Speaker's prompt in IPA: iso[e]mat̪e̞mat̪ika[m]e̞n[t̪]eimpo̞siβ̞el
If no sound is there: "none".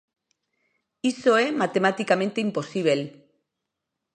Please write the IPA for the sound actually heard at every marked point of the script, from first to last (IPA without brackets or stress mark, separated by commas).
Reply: e, m, t̪